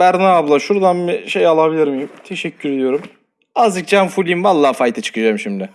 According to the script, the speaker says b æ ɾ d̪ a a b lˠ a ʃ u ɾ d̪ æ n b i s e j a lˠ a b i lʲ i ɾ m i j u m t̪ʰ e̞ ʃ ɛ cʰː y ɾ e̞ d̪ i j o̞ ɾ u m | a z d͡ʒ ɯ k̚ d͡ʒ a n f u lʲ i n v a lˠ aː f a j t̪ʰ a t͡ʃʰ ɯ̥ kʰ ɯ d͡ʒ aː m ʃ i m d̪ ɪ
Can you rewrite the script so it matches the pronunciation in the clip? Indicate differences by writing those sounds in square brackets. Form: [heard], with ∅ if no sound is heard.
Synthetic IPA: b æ ɾ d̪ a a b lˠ a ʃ u ɾ d̪ [a] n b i [ʃ] e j a lˠ a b i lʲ i ɾ m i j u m t̪ʰ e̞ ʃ ɛ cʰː y ɾ e̞ d̪ i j o̞ ɾ u m | a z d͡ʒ ɯ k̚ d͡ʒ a n f u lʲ i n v a [lˠː] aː f a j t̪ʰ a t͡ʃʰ ɯ̥ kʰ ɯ d͡ʒ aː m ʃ i m d̪ ɪ

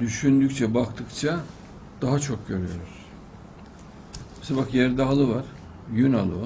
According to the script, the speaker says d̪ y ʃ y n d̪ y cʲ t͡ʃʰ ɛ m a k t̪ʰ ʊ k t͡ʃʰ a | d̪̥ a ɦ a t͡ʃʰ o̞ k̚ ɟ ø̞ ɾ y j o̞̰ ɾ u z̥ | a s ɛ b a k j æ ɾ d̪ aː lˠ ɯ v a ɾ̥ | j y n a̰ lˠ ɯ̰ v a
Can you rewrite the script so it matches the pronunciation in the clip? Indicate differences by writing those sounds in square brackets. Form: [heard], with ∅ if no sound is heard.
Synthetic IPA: d̪ y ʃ y n d̪ y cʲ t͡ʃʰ ɛ [b] a k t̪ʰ [ɯ] k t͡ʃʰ a | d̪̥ a ɦ a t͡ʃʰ o̞ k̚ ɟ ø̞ ɾ y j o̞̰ ɾ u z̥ | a s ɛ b a k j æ ɾ d̪ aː lˠ ɯ v a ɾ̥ | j y n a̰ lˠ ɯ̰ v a

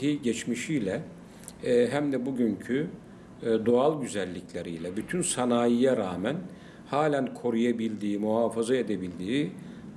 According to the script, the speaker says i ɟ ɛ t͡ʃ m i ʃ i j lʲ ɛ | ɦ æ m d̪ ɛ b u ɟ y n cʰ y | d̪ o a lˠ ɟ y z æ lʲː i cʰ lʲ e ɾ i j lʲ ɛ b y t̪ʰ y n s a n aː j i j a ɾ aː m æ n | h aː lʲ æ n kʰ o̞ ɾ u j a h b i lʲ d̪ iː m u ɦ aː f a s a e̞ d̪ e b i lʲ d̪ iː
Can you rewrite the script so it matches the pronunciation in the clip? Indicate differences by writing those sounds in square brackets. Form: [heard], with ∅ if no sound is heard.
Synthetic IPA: i ɟ ɛ t͡ʃ m i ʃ i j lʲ ɛ | ɦ æ m d̪ ɛ b u ɟ y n cʰ y | d̪ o a lˠ ɟ y z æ lʲː i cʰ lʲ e ɾ i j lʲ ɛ b y t̪ʰ y n s a n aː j i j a ɾ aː m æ n | h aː lʲ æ n kʰ o̞ ɾ u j a [∅] b i lʲ d̪ iː m u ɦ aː f a [z] a e̞ d̪ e b i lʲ d̪ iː

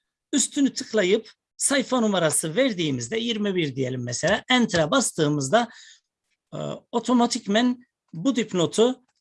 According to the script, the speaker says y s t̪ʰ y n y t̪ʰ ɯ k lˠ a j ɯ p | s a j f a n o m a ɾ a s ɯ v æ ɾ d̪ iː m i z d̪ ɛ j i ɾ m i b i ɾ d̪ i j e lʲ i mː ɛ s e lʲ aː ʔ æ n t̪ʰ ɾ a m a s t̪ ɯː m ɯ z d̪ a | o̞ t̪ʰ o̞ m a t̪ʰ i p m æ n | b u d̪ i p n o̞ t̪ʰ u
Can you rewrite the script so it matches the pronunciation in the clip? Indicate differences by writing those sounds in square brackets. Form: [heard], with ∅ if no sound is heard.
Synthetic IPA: y s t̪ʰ y n y t̪ʰ ɯ k lˠ a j ɯ p | s a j f a n [u] m a ɾ a s ɯ v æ ɾ d̪ iː m i z d̪ ɛ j i ɾ m i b i ɾ d̪ i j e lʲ i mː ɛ s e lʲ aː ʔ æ n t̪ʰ ɾ a [b] a s t̪ ɯː m ɯ z d̪ a | o̞ t̪ʰ o̞ m a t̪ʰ i [c] m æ n | b u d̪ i p n o̞ t̪ʰ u

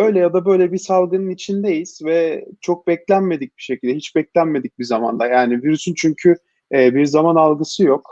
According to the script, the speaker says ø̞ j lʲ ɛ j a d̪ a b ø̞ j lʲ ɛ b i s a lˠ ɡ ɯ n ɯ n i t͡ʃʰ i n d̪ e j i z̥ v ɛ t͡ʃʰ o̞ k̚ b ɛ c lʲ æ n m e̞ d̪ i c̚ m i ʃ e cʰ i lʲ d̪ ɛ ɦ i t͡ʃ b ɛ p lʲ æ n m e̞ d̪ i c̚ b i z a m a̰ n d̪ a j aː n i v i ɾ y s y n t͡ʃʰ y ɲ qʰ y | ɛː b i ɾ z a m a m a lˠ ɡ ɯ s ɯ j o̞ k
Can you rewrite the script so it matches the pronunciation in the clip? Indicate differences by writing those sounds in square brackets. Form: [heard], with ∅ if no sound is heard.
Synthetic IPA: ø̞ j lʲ ɛ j a d̪ a b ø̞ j lʲ ɛ b i s a lˠ ɡ ɯ n ɯ n i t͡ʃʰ i n d̪ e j i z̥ v ɛ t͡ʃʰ o̞ k̚ b ɛ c lʲ æ n m e̞ d̪ i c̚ [b] i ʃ e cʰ i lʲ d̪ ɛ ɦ i t͡ʃ b ɛ [c] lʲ æ n m e̞ d̪ i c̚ b i z a m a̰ n d̪ a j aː n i v i ɾ y s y n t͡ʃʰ y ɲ [cʰ] y | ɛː b i ɾ z a m a [n] a lˠ ɡ ɯ s ɯ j o̞ k

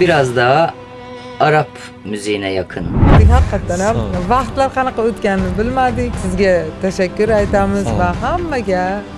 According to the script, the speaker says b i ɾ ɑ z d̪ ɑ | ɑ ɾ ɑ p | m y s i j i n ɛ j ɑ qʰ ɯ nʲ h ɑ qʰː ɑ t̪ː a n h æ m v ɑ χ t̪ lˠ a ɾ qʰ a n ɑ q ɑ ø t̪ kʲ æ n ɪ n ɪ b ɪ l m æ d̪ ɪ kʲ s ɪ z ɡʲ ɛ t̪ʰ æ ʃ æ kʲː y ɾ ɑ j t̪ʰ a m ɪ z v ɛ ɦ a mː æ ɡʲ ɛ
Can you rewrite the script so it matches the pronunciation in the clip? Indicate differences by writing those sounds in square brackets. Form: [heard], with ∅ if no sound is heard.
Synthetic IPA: b i ɾ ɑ z d̪ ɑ | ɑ ɾ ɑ p | m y [z] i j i n ɛ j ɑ qʰ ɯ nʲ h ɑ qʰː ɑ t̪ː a n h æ m v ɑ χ t̪ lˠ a ɾ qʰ [ɑ] n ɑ q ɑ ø t̪ kʲ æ n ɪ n ɪ b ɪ l m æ d̪ ɪ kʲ s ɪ z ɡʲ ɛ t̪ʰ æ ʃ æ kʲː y ɾ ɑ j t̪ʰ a m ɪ z v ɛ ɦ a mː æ ɡʲ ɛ

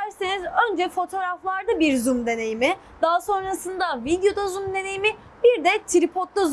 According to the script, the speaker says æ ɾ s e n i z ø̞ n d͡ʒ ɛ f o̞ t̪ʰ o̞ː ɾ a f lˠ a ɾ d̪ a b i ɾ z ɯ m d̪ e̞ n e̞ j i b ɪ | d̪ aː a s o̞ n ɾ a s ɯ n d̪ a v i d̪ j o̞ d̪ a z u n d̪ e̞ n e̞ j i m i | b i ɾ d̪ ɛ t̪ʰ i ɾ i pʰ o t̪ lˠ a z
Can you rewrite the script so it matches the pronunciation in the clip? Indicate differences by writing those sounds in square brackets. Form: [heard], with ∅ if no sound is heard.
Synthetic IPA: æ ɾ s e n i z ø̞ n d͡ʒ ɛ f o̞ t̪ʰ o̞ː ɾ a f lˠ a ɾ d̪ a b i ɾ z [u] m d̪ e̞ n e̞ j i [m] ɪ | d̪ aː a s o̞ n ɾ a s ɯ n d̪ a v i d̪ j o̞ d̪ a z u [m] d̪ e̞ n e̞ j i m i | b i ɾ d̪ ɛ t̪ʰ i ɾ i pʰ o t̪ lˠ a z

